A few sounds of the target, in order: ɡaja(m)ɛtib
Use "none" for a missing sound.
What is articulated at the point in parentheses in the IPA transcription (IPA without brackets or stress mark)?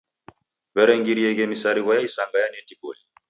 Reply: n